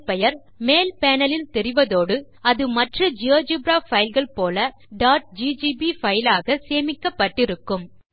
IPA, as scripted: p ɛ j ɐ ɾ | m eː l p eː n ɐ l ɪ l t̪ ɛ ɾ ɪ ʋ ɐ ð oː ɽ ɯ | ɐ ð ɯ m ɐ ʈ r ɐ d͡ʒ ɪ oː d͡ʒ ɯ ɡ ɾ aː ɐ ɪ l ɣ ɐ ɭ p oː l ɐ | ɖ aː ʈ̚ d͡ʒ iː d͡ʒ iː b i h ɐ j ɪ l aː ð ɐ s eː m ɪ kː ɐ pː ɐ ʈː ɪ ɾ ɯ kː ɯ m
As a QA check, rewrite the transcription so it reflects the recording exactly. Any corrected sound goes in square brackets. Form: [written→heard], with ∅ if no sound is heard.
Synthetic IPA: p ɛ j ɐ ɾ | m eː l p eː n ɐ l ɪ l t̪ ɛ ɾ ɪ ʋ ɐ ð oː ɽ ɯ | ɐ ð ɯ m ɐ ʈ r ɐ d͡ʒ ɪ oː d͡ʒ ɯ [ɡ→b] ɾ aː ɐ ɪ l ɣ ɐ ɭ p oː l ɐ | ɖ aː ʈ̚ d͡ʒ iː d͡ʒ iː b i [h→f] ɐ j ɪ l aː [ð→ɣ] ɐ s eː m ɪ kː ɐ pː ɐ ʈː ɪ ɾ ɯ kː ɯ m